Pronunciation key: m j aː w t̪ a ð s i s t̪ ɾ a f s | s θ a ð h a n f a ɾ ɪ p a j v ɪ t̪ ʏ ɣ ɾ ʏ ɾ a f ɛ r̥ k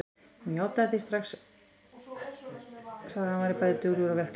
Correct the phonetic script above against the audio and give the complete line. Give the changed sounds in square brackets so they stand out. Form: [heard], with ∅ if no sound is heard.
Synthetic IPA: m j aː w t̪ a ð [θ] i s t̪ ɾ a [x] s | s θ a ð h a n [v] a ɾ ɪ p a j [ð] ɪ t̪ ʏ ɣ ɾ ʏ ɾ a [v] ɛ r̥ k